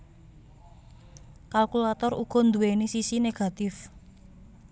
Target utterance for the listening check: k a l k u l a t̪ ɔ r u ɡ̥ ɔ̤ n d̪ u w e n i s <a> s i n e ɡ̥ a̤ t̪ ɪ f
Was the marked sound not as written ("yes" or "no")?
yes